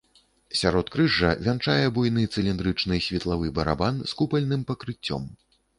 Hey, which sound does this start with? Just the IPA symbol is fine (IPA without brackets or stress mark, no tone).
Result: sʲ